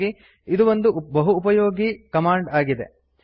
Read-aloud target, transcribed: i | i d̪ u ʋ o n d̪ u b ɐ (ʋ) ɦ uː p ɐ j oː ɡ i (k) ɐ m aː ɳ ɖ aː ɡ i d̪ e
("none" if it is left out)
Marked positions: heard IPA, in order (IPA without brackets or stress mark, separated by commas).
none, k